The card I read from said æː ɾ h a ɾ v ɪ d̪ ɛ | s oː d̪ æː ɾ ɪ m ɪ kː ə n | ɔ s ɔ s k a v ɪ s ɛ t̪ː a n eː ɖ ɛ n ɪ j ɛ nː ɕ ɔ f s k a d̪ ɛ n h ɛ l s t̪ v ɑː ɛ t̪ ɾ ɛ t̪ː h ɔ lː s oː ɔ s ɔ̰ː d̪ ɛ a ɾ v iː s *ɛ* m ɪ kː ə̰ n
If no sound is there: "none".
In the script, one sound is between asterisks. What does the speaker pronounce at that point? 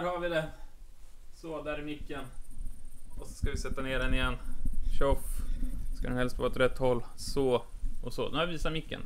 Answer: a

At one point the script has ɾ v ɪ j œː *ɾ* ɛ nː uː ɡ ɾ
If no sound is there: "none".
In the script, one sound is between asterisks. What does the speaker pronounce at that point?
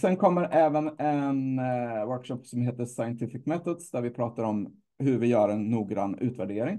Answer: ɾ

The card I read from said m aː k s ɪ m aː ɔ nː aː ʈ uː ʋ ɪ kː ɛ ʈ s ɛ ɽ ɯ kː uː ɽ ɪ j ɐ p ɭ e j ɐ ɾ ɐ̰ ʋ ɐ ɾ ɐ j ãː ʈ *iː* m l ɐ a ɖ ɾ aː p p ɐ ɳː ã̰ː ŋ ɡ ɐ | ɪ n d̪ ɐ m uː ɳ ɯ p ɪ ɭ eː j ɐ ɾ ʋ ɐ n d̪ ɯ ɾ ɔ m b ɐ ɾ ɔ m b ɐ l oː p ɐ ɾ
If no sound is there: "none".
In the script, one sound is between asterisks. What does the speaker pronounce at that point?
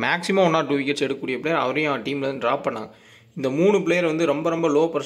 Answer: iː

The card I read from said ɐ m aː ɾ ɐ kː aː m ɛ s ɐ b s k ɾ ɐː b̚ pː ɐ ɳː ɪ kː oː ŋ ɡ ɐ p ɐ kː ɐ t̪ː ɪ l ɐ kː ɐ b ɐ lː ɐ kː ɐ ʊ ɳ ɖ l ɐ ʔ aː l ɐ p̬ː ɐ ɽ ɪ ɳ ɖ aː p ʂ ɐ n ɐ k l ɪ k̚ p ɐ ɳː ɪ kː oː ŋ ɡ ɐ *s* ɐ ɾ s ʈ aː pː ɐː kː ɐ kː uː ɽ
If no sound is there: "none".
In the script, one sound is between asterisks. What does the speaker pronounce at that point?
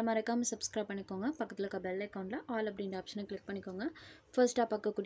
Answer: f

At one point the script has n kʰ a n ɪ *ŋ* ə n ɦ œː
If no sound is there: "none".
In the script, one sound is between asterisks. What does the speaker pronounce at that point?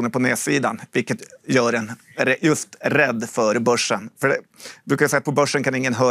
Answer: ŋː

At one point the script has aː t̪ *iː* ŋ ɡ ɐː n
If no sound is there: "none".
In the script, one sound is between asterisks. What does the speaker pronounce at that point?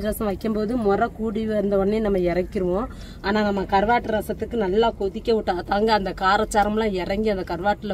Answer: aː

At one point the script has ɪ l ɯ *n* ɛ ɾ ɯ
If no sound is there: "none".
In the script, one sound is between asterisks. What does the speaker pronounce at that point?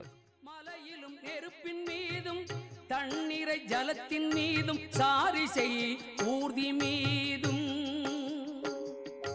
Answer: m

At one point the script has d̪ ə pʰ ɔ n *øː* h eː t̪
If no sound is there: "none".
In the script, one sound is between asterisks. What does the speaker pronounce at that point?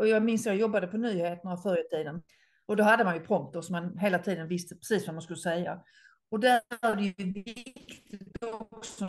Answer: yː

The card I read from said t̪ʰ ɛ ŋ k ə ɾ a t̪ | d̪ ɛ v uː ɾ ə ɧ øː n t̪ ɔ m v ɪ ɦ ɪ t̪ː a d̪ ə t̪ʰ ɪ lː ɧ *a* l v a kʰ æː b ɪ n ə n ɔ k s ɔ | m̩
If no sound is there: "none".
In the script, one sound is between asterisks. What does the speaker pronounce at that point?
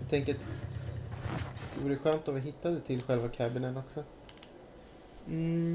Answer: ɛ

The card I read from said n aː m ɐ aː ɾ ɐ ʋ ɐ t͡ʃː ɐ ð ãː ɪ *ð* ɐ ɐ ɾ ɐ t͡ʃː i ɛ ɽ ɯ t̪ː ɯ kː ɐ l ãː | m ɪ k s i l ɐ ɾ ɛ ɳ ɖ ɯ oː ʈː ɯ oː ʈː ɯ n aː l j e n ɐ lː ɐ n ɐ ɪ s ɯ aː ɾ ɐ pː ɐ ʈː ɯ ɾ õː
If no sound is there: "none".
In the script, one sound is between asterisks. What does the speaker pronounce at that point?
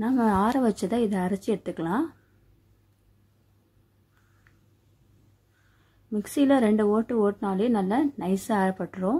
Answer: ð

